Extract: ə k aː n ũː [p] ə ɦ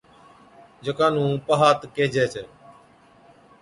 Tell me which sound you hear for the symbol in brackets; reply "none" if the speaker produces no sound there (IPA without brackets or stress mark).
p